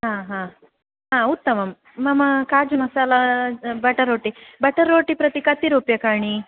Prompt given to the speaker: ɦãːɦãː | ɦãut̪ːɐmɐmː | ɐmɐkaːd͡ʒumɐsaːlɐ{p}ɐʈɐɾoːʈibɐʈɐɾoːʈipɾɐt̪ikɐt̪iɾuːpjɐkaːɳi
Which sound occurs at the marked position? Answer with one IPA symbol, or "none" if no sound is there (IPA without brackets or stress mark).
b